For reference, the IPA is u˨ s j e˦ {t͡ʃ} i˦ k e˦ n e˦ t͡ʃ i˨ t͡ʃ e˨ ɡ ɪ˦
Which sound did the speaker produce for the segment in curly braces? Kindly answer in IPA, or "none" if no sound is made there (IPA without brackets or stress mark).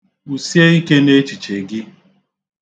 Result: none